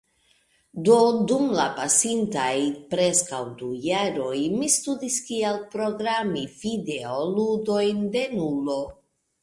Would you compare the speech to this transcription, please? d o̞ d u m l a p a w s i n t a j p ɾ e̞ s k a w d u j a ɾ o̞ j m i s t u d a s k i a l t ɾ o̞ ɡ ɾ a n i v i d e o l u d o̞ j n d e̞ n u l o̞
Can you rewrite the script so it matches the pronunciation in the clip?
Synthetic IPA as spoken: d o̞ d u m l a p a s i n t a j p ɾ e̞ s k a w d u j a ɾ o̞ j m i s t u d i s k i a l p ɾ o̞ ɡ ɾ a m i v i d e o l u d o̞ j n d e̞ n u l o̞